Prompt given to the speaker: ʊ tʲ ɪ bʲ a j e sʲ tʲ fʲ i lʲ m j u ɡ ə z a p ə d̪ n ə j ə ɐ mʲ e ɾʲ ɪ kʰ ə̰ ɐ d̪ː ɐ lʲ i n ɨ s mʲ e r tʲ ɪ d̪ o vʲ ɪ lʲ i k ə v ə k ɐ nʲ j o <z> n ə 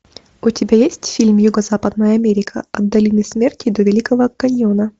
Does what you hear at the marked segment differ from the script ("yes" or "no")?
yes